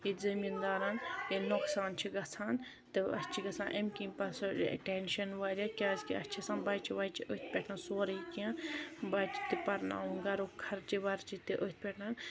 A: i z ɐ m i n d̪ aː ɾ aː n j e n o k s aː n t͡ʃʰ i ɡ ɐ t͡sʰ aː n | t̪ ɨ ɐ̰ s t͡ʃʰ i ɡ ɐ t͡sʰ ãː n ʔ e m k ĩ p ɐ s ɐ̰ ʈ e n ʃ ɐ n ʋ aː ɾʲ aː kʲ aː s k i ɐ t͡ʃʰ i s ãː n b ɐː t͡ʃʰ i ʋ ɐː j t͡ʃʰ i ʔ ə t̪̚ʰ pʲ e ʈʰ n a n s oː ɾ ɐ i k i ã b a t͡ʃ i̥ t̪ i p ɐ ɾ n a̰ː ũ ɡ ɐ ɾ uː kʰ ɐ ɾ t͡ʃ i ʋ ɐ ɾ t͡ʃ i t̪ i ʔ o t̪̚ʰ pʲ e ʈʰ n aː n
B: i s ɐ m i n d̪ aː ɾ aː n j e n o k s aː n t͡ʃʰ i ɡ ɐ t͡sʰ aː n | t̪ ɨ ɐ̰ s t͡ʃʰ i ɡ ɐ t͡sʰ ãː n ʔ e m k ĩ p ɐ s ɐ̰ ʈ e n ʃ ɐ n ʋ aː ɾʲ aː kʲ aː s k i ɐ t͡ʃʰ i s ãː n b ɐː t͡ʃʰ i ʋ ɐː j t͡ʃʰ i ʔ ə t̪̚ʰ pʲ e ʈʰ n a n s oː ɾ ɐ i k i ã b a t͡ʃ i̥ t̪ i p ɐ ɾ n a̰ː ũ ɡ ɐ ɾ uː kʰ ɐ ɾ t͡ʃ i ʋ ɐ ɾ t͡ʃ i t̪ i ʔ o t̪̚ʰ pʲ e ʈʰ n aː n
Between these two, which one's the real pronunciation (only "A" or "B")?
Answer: A